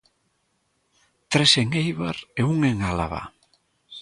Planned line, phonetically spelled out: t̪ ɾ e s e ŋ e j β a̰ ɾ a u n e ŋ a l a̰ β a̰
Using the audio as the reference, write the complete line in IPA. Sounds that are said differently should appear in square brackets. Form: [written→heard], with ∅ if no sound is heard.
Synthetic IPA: t̪ ɾ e s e ŋ e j β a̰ ɾ [a→e] u [n→ŋ] e ŋ a l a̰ β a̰